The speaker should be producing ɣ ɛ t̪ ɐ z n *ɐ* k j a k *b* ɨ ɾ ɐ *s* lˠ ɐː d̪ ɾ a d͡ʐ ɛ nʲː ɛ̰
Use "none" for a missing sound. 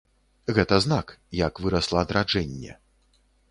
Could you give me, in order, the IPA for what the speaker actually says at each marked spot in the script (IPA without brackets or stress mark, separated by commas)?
a, v, s